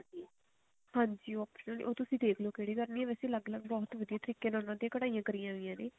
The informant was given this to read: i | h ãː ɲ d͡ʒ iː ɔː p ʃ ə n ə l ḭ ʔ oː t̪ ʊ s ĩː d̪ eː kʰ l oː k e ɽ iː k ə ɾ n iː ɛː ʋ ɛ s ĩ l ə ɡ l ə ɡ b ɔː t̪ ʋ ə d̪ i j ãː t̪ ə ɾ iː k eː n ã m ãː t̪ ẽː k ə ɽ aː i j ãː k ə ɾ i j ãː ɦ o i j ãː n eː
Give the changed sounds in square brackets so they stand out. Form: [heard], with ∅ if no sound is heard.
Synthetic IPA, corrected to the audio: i | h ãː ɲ d͡ʒ iː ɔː p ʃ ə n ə l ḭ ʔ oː t̪ ʊ s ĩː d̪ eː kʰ l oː k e ɽ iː k ə ɾ n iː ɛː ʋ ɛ s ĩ l ə ɡ l ə ɡ b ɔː t̪ ʋ ə d̪ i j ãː t̪ ə ɾ iː k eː n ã [n] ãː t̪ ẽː k ə ɽ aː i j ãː k ə ɾ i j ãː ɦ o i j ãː n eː